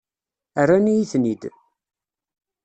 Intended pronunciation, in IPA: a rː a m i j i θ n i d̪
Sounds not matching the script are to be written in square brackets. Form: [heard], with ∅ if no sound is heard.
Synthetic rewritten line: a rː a [n] i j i θ n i d̪